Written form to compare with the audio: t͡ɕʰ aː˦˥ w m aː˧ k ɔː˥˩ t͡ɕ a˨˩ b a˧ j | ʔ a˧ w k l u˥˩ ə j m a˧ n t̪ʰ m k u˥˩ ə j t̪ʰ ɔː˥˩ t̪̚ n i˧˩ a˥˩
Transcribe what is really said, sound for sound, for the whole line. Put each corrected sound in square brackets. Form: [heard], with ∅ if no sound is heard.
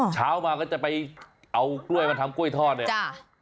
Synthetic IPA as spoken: t͡ɕʰ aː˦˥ w m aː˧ k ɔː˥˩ t͡ɕ a˨˩ [p] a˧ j | ʔ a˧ w k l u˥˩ ə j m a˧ n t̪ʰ m k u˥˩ ə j t̪ʰ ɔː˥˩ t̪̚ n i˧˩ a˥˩